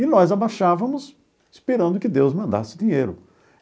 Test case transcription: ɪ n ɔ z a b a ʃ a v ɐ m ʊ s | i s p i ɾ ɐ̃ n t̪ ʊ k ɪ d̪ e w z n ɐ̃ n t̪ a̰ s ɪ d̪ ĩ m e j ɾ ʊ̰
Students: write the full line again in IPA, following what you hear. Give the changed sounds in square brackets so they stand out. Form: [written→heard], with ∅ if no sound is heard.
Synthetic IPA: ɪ n ɔ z a b a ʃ a v ɐ m ʊ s | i s p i ɾ ɐ̃ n [t̪→d̪] ʊ k ɪ d̪ e w z [n→m] ɐ̃ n [t̪→d̪] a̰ s ɪ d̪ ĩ [m→ɲ] e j ɾ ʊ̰